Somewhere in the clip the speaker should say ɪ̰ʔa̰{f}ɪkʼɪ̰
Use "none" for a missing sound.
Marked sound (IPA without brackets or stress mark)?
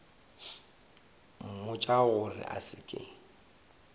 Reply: s